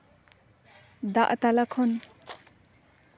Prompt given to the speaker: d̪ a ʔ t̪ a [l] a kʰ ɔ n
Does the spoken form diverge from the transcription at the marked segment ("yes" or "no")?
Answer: no